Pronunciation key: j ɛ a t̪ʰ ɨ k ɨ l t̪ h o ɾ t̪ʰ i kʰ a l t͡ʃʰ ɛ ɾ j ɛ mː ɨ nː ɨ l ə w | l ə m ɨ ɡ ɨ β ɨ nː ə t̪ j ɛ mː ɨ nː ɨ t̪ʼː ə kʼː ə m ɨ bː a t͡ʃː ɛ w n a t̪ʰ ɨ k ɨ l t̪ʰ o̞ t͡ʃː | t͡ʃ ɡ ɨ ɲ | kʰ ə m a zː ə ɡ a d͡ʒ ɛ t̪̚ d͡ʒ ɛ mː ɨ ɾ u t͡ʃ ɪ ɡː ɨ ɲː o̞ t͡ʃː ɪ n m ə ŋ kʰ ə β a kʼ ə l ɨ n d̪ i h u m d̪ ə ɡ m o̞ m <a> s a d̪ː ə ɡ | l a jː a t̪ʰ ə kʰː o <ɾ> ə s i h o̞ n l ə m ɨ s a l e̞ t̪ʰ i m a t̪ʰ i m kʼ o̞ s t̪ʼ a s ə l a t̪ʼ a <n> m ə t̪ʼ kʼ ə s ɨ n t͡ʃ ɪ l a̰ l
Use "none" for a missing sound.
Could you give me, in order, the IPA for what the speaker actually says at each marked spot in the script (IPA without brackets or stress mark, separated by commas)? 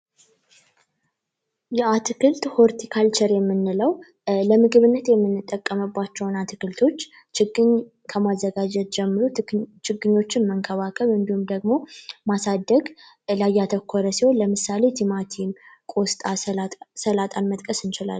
a, ɾ, n